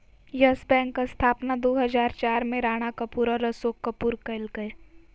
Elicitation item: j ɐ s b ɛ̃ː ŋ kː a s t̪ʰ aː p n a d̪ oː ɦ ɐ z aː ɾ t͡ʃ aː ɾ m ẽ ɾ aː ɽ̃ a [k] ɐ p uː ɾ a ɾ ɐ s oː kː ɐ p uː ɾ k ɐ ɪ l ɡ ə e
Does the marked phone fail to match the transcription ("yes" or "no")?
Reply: no